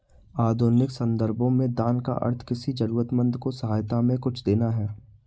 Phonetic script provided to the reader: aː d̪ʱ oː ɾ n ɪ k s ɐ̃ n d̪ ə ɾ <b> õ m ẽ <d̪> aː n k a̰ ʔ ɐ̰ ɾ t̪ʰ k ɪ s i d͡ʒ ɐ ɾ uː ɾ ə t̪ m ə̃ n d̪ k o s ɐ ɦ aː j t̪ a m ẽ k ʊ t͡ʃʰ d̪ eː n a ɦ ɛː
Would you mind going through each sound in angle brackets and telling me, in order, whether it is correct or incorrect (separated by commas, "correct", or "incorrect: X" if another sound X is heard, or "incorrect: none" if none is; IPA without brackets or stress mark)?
correct, correct